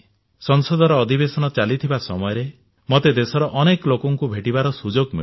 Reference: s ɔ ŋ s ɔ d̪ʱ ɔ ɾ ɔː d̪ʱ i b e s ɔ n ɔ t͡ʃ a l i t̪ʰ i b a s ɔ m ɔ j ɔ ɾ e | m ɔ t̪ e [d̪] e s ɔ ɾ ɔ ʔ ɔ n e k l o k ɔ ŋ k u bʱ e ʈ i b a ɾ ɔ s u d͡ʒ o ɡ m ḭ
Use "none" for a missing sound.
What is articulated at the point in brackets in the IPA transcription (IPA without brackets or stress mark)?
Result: d̪